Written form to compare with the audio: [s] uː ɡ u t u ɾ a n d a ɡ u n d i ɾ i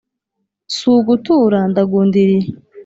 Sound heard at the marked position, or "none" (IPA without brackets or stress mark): s